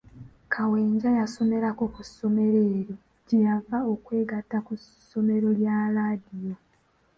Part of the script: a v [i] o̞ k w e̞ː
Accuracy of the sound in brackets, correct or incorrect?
incorrect: a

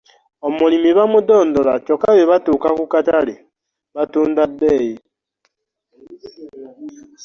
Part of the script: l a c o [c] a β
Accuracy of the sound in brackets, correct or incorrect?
incorrect: k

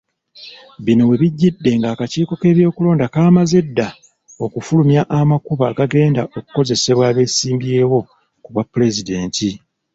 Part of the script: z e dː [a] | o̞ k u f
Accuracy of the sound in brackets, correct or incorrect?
correct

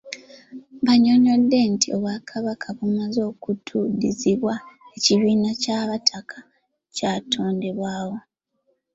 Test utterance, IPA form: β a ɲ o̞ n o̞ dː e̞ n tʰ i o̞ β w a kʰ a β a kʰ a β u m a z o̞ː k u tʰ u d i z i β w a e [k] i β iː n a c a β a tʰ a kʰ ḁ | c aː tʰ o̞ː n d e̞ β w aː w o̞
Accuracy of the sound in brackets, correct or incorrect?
incorrect: c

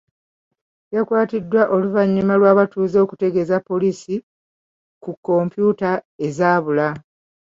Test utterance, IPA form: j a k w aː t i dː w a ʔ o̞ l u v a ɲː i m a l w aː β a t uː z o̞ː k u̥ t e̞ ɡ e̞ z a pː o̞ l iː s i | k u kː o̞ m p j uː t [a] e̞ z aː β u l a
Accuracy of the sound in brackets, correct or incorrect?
correct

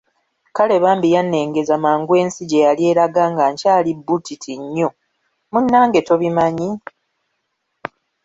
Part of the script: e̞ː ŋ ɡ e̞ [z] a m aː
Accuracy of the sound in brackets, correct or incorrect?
correct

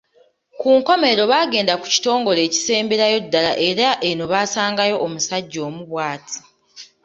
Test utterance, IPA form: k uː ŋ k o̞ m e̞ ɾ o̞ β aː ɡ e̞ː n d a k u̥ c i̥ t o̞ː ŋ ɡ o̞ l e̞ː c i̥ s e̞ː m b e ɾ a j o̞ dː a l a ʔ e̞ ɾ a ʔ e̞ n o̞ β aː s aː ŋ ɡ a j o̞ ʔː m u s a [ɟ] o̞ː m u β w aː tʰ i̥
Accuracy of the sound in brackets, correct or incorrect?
incorrect: ɟː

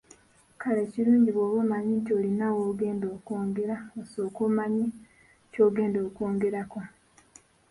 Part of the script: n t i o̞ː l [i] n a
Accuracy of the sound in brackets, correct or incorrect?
correct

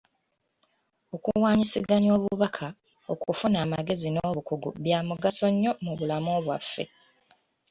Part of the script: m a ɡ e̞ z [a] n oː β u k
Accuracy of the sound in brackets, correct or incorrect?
incorrect: i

